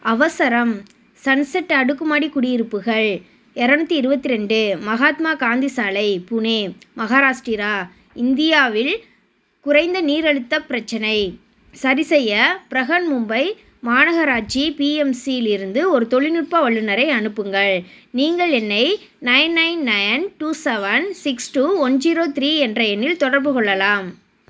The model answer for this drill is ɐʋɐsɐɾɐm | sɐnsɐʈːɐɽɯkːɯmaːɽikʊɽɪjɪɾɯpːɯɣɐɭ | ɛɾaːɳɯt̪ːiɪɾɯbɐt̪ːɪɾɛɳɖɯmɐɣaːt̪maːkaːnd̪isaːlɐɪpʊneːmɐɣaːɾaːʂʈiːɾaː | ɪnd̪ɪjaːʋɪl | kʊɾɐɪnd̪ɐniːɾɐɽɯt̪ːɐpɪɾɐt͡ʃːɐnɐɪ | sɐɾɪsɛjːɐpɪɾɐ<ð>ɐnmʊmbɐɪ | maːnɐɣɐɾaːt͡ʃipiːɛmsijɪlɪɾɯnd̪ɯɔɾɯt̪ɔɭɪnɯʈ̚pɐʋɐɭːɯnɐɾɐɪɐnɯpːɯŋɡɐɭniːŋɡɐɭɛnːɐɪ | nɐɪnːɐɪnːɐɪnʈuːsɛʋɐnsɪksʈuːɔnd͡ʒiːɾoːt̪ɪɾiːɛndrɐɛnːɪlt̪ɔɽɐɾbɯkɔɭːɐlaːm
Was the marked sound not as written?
yes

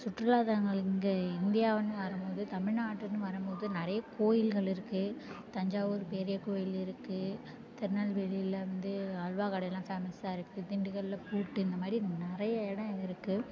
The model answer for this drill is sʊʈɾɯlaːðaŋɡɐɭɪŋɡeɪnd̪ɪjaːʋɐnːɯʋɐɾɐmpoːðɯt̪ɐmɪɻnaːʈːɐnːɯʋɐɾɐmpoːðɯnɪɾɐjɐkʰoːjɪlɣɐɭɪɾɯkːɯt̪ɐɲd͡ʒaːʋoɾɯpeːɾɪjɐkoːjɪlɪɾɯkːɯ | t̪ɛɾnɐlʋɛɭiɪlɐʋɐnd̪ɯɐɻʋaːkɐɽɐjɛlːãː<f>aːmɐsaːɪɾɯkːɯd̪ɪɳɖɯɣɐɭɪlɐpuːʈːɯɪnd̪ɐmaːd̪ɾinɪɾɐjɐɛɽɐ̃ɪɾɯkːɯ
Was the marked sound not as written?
no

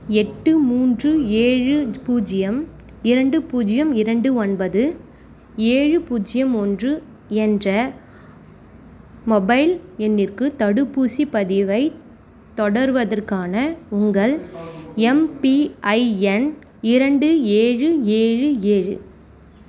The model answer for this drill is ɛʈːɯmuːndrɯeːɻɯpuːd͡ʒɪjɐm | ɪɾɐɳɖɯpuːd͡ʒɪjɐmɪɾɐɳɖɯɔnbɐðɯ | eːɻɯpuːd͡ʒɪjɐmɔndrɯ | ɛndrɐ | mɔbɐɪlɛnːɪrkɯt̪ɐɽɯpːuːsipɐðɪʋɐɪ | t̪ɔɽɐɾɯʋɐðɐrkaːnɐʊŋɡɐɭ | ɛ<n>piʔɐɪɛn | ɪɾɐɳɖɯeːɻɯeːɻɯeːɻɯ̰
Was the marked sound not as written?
yes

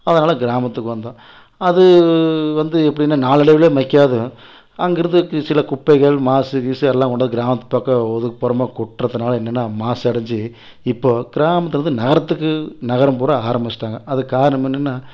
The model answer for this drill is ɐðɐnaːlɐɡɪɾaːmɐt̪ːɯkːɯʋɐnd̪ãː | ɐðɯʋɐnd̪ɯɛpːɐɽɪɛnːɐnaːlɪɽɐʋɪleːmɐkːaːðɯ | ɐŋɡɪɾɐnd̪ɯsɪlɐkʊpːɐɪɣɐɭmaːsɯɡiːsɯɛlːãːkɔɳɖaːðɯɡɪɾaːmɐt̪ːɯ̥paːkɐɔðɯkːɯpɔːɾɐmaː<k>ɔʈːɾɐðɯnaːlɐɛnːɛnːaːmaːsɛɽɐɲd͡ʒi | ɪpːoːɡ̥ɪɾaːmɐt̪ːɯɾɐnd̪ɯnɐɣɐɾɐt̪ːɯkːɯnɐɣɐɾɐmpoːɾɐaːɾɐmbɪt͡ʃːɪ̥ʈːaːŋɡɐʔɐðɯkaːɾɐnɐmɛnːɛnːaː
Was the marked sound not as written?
no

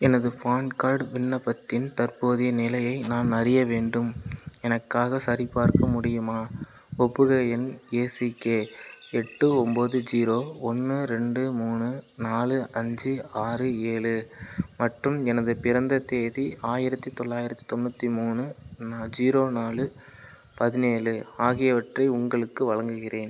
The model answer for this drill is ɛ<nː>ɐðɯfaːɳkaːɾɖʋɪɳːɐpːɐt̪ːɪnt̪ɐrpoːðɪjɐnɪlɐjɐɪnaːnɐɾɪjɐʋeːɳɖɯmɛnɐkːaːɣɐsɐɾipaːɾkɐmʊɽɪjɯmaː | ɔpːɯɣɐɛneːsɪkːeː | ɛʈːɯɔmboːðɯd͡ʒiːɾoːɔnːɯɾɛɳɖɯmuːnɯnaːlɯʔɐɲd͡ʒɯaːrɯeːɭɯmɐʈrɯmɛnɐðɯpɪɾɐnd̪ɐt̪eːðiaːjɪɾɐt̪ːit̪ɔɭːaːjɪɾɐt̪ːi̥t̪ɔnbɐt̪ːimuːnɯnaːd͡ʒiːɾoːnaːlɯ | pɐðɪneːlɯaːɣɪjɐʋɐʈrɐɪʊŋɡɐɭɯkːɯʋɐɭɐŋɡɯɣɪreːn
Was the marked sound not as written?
yes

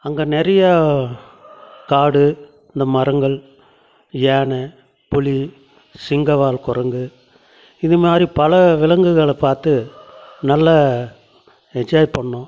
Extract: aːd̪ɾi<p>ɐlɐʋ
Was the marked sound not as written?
no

